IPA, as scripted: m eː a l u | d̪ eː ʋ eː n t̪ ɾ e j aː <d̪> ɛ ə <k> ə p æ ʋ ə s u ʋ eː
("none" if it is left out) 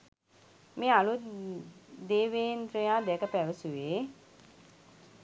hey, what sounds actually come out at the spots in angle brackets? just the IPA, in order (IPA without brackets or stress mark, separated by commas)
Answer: d̪, k